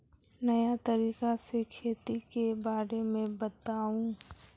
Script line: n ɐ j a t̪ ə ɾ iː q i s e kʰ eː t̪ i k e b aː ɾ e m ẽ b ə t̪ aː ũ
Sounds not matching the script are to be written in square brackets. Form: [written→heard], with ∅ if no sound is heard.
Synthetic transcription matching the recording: n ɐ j a t̪ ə ɾ iː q [i→a] s e kʰ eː t̪ i k e b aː ɾ e m ẽ b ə t̪ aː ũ